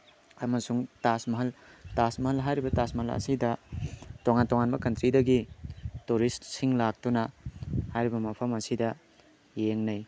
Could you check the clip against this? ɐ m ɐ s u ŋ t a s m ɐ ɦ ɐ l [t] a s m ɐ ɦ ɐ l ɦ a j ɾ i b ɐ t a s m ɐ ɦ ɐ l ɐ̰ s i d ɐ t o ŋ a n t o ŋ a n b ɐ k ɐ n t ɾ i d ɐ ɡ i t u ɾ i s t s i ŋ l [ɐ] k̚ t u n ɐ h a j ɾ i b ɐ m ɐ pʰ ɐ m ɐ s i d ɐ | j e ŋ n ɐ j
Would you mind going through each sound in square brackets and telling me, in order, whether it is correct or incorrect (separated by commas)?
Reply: correct, incorrect